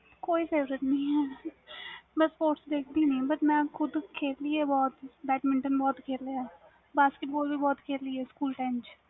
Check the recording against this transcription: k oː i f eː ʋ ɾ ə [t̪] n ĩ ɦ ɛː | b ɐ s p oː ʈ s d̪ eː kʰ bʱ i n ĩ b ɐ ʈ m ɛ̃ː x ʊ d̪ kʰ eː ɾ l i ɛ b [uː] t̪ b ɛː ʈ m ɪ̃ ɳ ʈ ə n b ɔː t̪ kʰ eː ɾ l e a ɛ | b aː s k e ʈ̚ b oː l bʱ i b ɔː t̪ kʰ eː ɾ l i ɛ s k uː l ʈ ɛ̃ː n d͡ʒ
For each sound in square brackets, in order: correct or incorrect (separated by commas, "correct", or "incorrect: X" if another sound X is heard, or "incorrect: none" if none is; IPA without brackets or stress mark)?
correct, incorrect: ɔː